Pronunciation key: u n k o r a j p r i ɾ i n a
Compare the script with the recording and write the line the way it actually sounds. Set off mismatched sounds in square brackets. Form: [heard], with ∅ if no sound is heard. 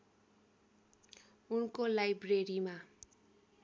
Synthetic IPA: u n k o [l] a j [b] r [e] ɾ i [m] a